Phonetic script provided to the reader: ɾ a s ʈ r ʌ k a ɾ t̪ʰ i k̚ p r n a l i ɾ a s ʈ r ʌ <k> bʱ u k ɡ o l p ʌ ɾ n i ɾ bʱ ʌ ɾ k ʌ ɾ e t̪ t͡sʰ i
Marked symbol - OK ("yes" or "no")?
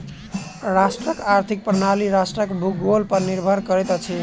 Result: yes